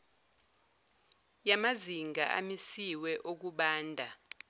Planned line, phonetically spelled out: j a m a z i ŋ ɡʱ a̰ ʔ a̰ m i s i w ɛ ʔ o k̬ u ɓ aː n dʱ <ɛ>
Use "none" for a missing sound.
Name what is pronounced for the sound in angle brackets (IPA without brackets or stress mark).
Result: a